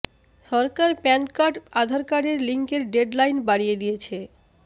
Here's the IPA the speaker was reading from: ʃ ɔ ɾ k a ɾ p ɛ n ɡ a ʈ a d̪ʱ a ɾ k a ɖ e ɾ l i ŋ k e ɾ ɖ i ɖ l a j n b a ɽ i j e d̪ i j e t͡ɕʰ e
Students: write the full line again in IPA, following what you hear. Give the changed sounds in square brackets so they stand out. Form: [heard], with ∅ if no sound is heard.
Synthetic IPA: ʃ ɔ ɾ k a ɾ p ɛ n [k] a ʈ a d̪ʱ a ɾ k a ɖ e ɾ l i ŋ k e ɾ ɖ [e] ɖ l a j n b a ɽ i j e d̪ i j e t͡ɕʰ e

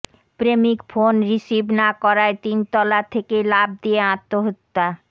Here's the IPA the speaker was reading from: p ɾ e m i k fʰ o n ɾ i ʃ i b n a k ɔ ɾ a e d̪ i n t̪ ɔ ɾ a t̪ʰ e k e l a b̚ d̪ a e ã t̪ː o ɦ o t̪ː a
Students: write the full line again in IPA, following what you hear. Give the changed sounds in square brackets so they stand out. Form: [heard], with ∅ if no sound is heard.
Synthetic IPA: p ɾ e m i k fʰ o n ɾ i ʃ i b n a k ɔ ɾ a e [t̪] i n t̪ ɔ [l] a t̪ʰ e k e l a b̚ d̪ [i] e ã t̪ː o ɦ o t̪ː a

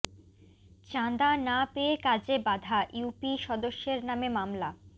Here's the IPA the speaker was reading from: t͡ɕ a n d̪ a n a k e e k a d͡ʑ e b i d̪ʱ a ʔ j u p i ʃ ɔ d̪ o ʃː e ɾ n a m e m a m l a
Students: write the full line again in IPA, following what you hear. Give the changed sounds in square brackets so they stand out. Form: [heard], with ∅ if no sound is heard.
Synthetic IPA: t͡ɕ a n d̪ a n a [p] e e k a d͡ʑ e b [a] d̪ʱ a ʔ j u p i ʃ ɔ d̪ o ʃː e ɾ n a m e m a m l a

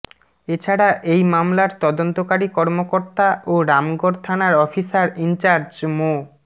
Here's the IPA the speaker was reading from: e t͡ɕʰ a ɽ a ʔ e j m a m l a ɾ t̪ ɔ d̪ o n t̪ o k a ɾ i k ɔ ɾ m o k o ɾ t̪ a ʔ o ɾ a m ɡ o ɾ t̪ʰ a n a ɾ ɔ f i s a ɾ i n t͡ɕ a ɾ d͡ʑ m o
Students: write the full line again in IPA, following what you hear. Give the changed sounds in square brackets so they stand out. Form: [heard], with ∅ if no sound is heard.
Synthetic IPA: e t͡ɕʰ a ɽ a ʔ e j m a m l a ɾ t̪ ɔ d̪ o n t̪ o k a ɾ i k ɔ ɾ m o k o ɾ t̪ a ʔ o ɾ a m ɡ o ɾ t̪ʰ a n a ɾ ɔ f i s a ɾ i n t͡ɕ a ɾ d͡ʑ m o

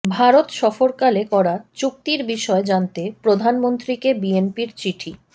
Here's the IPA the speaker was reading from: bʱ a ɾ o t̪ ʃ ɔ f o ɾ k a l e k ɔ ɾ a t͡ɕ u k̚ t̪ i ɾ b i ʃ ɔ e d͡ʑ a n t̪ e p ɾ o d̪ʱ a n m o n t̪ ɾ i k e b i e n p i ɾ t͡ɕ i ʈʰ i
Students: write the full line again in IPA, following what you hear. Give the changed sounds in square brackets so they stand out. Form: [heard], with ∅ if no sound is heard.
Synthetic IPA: bʱ a ɾ o t̪ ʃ ɔ f o ɾ k a l e k ɔ ɾ a t͡ɕ u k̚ t̪ i ɾ b i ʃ ɔ e d͡ʑ a n t̪ e p ɾ o d̪ʱ a n m o n t̪ ɾ i k e b i e n p i ɾ t͡ɕ i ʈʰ i

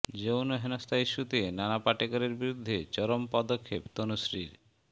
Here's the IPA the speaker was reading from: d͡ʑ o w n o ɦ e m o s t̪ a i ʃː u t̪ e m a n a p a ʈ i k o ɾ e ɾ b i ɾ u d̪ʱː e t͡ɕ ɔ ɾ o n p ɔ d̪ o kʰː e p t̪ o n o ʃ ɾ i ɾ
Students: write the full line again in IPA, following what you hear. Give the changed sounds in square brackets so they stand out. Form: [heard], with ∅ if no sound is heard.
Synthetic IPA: d͡ʑ o w n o ɦ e [n] o s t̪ a i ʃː u t̪ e [n] a n a p a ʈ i k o ɾ e ɾ b i ɾ u d̪ʱː e t͡ɕ ɔ ɾ o [m] p ɔ d̪ o kʰː e p t̪ o n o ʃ ɾ i ɾ

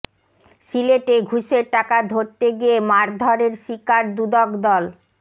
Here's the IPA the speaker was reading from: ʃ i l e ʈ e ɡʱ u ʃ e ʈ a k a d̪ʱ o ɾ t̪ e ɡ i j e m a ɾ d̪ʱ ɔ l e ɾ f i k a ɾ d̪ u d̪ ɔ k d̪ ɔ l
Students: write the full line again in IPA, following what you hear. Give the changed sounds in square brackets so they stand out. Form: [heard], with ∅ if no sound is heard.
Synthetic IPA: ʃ i l e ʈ e ɡʱ u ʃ e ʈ a k a d̪ʱ o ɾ t̪ e ɡ i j e m a ɾ d̪ʱ ɔ [ɾ] e ɾ [ʃ] i k a ɾ d̪ u d̪ ɔ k d̪ ɔ l

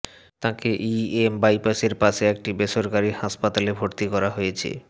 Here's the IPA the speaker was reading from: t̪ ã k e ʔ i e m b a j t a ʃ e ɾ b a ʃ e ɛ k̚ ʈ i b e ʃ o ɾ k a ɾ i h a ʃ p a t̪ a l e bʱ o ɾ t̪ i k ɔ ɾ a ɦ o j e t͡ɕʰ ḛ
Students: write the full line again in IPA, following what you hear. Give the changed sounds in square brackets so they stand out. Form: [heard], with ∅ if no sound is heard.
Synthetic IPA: t̪ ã k e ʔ i e m b a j [p] a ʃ e ɾ [p] a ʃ e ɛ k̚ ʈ i b e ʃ o ɾ k a ɾ i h a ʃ p a t̪ a l e bʱ o ɾ t̪ i k ɔ ɾ a ɦ o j e t͡ɕʰ ḛ

